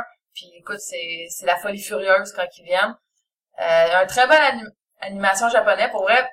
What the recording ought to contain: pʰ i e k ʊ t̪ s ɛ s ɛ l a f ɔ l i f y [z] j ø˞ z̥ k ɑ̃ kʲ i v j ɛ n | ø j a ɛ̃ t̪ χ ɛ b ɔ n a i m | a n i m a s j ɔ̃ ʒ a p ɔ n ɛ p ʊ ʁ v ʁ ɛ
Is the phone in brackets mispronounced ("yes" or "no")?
yes